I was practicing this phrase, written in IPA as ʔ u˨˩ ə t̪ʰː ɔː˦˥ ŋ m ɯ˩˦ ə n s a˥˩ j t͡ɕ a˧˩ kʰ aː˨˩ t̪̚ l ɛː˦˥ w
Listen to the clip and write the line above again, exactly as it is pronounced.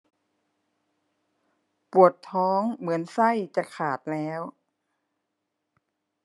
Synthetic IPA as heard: p u˨˩ ə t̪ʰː ɔː˦˥ ŋ m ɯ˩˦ ə n s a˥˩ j t͡ɕ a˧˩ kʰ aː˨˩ t̪̚ l ɛː˦˥ w